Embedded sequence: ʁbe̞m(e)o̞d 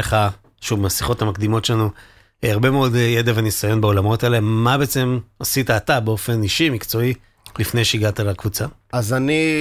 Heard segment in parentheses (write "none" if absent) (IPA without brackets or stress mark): e